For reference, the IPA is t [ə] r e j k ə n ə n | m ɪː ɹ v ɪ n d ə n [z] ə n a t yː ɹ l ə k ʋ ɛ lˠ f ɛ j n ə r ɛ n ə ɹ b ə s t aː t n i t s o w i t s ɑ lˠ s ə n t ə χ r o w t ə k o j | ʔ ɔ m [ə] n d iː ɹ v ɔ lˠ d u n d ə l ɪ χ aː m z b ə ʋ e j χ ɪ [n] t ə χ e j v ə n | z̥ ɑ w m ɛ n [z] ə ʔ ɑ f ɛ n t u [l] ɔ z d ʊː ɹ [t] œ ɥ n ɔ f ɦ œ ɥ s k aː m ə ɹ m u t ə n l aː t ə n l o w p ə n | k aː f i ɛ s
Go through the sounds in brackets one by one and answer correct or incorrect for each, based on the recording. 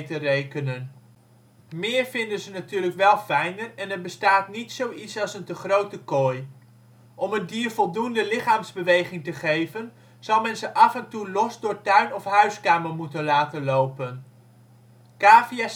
correct, correct, correct, incorrect: ŋ, correct, correct, correct

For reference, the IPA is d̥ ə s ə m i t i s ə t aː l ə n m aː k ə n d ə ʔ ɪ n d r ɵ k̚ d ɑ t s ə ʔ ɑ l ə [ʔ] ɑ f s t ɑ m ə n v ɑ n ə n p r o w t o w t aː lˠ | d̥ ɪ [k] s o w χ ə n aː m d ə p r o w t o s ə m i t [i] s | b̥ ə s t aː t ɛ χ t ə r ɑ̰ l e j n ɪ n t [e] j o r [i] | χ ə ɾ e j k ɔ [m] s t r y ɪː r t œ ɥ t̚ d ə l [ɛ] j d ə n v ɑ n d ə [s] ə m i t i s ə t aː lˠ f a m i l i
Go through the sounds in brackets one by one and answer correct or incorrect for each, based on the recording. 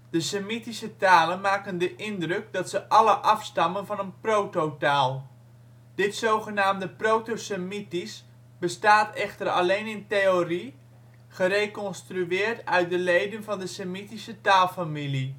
correct, incorrect: t, correct, correct, correct, incorrect: n, incorrect: e, correct

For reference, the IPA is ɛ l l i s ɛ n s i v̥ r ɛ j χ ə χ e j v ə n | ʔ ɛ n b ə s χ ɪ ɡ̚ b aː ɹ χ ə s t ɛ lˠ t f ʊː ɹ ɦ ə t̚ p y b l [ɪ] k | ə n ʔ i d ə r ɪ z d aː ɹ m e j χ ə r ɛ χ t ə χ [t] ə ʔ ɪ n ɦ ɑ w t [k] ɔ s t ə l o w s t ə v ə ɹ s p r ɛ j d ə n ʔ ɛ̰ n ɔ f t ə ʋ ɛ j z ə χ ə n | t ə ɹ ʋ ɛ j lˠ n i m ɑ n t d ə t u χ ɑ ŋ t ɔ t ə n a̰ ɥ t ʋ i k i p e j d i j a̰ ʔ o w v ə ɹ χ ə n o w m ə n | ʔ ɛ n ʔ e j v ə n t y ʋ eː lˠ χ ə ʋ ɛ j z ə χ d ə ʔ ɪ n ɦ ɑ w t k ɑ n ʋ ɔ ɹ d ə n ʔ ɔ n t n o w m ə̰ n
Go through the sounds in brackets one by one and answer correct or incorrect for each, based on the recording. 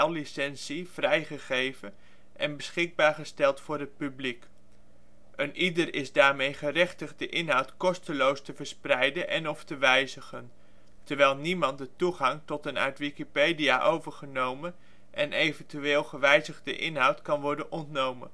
incorrect: i, incorrect: d, correct

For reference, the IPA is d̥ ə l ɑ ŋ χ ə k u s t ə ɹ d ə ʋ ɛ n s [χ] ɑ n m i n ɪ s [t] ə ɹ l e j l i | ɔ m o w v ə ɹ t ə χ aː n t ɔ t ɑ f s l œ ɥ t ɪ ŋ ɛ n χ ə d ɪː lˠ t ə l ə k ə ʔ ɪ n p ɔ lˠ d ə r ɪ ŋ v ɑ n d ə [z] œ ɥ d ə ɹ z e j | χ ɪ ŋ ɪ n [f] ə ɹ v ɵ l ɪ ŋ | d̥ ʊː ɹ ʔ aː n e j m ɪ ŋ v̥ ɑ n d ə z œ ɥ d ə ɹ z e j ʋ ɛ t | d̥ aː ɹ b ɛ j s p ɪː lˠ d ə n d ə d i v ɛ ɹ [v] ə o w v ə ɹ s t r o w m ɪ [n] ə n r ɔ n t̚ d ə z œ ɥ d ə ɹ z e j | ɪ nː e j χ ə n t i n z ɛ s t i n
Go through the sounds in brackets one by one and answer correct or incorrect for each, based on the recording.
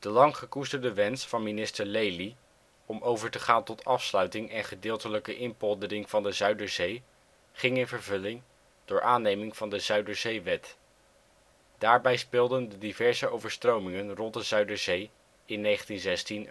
incorrect: f, correct, correct, incorrect: v, incorrect: z, incorrect: ŋ

